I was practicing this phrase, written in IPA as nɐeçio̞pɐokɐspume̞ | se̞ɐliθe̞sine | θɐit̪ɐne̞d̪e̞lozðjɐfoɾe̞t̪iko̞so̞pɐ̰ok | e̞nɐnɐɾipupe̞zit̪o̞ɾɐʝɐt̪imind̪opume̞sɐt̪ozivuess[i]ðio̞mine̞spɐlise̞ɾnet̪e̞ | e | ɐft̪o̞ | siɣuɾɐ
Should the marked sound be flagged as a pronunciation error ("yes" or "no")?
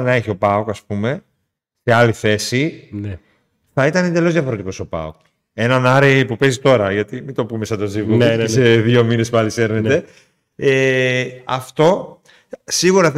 yes